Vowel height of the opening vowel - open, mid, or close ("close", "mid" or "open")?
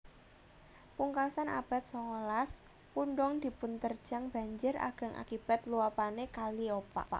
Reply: close